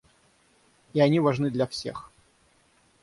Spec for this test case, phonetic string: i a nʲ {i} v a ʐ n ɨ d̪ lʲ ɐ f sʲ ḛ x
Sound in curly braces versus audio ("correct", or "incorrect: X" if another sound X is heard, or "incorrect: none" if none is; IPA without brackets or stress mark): correct